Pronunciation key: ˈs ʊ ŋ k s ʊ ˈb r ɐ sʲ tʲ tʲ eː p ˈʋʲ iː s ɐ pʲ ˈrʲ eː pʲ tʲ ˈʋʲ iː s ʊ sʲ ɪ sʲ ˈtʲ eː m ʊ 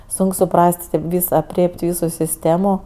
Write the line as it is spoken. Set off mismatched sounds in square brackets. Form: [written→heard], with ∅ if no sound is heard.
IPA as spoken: ˈs ʊ ŋ k s ʊ [ˈb→ˈp] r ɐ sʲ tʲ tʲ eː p ˈʋʲ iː s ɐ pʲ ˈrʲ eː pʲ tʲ ˈʋʲ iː s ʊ sʲ ɪ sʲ ˈtʲ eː m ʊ

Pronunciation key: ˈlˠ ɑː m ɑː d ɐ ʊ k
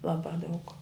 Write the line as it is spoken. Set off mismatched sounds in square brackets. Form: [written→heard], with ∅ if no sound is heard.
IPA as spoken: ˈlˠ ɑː [m→b] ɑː d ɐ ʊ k

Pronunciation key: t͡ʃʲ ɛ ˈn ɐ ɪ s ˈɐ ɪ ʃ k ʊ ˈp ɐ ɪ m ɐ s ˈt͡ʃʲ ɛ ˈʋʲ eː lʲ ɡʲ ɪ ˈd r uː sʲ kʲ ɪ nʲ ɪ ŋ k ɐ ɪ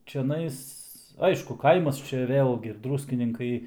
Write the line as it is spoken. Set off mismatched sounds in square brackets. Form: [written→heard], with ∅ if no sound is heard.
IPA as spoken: t͡ʃʲ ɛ ˈn ɐ ɪ s ˈɐ ɪ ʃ k ʊ [ˈp→ˈk] ɐ ɪ m ɐ s ˈt͡ʃʲ ɛ ˈʋʲ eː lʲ ɡʲ ɪ ˈd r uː sʲ kʲ ɪ nʲ ɪ ŋ k ɐ ɪ

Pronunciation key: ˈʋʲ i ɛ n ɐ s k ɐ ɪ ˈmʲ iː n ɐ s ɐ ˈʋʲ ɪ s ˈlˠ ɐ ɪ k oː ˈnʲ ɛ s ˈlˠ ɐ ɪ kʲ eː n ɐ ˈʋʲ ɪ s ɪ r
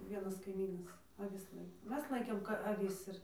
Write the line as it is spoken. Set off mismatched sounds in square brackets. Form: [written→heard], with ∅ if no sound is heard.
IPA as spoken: ˈʋʲ i ɛ n ɐ s k ɐ ɪ ˈmʲ iː n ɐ s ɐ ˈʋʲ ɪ s ˈlˠ ɐ ɪ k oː [ˈnʲ→ˈmʲ] ɛ s ˈlˠ ɐ ɪ kʲ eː [n→m] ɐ ˈʋʲ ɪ s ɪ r

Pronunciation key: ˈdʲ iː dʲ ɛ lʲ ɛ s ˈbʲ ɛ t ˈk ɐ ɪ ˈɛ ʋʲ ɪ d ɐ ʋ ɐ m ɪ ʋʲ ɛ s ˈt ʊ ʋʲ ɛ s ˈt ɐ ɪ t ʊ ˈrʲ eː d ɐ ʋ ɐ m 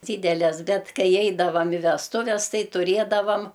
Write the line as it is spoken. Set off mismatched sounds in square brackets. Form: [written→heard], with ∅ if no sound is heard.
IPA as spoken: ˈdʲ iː dʲ ɛ lʲ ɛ s ˈbʲ ɛ t ˈk ɐ ɪ ˈɛ [ʋʲ→∅] ɪ d ɐ ʋ ɐ m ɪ ʋʲ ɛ s ˈt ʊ ʋʲ ɛ s ˈt ɐ ɪ t ʊ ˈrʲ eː d ɐ ʋ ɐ m

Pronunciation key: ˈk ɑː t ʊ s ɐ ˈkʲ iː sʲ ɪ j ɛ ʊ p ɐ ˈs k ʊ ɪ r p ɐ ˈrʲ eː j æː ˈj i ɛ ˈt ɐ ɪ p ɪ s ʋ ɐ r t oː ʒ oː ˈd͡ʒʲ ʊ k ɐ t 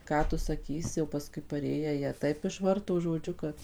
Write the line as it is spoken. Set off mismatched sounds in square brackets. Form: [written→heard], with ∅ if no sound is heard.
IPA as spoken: ˈk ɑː t ʊ s ɐ ˈkʲ iː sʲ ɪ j ɛ ʊ p ɐ ˈs k ʊ ɪ [r→∅] p ɐ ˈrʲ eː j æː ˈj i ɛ ˈt ɐ ɪ p ɪ [s→ʃ] ʋ ɐ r t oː ʒ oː ˈd͡ʒʲ ʊ k ɐ t

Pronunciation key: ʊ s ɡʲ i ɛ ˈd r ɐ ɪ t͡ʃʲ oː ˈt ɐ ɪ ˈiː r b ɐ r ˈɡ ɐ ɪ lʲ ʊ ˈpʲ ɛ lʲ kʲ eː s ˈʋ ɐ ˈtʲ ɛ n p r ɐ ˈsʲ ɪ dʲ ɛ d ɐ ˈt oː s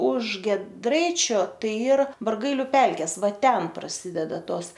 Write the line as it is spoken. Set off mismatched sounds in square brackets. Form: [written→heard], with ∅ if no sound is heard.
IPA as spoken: ʊ [s→ʃ] ɡʲ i ɛ ˈd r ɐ ɪ t͡ʃʲ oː ˈt ɐ ɪ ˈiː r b ɐ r ˈɡ ɐ ɪ lʲ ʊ ˈpʲ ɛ lʲ kʲ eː s ˈʋ ɐ ˈtʲ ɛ n p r ɐ ˈsʲ ɪ dʲ ɛ d ɐ ˈt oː s

